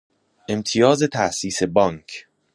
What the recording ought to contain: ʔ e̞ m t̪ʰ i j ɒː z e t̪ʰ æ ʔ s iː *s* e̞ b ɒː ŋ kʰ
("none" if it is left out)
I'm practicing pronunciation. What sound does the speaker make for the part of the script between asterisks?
s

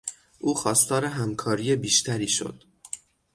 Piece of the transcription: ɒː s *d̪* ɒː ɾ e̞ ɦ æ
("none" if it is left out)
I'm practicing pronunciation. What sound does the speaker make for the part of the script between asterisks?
t̪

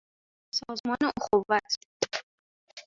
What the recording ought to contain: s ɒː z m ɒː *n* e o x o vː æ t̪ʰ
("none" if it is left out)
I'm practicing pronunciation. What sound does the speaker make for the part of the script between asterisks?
n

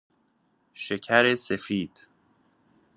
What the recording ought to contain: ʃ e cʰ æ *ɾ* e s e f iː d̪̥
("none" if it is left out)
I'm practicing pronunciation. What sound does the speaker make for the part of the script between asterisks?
ɾ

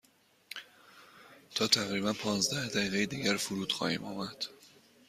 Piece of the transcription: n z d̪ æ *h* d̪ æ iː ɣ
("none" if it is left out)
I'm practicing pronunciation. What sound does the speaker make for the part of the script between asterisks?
h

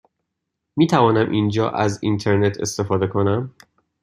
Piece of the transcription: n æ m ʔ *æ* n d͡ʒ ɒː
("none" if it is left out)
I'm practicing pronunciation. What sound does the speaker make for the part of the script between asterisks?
i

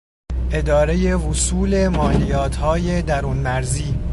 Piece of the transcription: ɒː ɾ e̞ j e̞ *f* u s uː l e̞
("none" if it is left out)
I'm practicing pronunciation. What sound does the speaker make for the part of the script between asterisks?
v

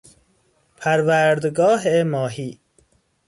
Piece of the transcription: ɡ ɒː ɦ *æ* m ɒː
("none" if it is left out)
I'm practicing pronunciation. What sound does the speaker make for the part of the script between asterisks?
e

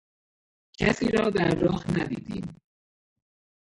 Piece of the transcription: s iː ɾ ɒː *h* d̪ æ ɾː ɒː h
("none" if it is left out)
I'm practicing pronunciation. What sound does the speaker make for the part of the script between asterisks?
none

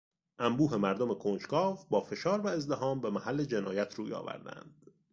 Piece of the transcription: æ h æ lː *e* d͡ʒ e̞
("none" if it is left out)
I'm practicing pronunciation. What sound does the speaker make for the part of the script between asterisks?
e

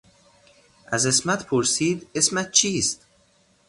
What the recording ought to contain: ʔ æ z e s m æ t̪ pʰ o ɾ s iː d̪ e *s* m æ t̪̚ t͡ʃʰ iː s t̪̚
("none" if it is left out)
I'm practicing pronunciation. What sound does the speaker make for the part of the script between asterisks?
s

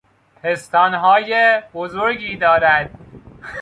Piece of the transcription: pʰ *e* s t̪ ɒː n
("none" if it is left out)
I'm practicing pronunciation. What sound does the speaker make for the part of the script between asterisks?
e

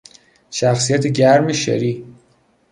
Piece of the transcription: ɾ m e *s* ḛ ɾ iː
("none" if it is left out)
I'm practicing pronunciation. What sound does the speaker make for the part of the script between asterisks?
ʃ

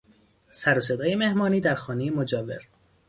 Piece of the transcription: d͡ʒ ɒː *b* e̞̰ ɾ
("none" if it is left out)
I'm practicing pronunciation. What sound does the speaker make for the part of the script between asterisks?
v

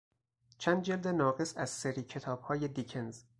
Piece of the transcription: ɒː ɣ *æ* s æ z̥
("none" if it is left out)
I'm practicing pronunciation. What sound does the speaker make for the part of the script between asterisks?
e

